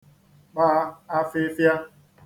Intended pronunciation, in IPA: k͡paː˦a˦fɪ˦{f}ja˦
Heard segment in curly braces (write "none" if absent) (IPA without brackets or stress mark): f